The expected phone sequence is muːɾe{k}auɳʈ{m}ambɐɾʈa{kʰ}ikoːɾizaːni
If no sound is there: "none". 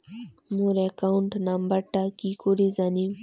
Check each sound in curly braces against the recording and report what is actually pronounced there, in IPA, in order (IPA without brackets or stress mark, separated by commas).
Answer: k, n, k